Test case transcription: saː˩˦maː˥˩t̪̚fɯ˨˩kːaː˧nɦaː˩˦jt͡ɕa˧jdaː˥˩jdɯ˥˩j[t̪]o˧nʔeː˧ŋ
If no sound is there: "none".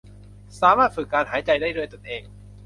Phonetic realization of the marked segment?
t̪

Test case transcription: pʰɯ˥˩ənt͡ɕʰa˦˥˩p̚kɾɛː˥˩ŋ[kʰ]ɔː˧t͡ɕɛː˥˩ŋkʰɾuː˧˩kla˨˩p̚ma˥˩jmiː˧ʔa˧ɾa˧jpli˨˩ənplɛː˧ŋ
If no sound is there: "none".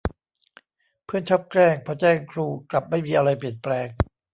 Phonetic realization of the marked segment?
pʰ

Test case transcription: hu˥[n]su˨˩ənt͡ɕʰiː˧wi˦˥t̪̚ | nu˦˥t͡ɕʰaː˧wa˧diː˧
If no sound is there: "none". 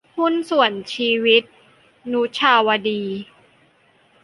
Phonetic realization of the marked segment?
n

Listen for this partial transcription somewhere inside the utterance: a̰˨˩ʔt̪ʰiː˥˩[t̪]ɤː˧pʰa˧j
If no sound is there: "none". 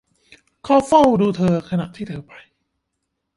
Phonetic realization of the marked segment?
t̪ʰ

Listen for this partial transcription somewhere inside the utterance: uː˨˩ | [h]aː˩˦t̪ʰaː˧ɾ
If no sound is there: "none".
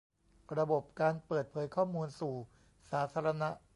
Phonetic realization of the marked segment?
s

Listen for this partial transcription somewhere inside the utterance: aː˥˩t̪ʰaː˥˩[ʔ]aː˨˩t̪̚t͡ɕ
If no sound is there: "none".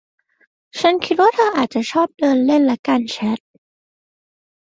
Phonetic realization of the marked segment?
ʔ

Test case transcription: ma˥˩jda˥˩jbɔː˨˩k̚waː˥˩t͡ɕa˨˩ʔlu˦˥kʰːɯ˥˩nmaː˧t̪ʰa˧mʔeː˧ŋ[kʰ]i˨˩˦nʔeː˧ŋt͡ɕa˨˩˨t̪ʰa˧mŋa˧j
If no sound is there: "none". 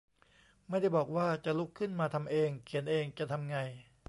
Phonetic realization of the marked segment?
kʰ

